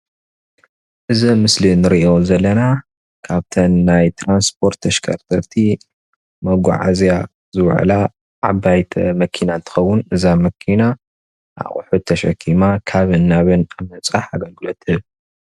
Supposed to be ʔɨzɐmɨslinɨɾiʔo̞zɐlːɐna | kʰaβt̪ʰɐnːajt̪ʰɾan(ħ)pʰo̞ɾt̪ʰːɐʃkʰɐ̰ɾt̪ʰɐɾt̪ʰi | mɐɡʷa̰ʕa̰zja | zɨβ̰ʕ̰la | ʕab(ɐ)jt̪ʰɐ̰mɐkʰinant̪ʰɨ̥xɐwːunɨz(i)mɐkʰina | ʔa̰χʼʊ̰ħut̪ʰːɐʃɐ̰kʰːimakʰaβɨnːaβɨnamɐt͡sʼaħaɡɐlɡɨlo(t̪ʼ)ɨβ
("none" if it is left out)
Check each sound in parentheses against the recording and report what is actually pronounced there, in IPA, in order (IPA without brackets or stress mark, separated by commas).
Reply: s, a, a, t̪